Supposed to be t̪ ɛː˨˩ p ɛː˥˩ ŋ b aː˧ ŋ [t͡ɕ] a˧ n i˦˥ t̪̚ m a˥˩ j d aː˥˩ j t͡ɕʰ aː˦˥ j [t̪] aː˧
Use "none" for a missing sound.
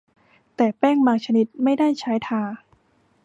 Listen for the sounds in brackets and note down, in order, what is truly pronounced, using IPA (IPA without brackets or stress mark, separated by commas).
t͡ɕʰ, t̪ʰ